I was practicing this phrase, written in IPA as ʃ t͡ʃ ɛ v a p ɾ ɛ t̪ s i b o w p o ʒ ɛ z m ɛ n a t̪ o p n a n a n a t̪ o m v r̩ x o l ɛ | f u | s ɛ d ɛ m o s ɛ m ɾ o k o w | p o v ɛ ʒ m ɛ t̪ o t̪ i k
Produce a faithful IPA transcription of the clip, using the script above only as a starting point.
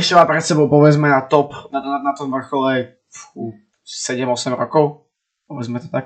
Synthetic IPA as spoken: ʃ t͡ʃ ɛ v a p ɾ ɛ t̪ s ɛ b o w p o v ɛ z m ɛ n a t̪ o p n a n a n a t̪ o m v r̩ x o l ɛ | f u | s ɛ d ɛ m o s ɛ m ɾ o k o w | p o v ɛ z m ɛ t̪ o t̪ a k